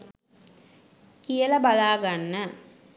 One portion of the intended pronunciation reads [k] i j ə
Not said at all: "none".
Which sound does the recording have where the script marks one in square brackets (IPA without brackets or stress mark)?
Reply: k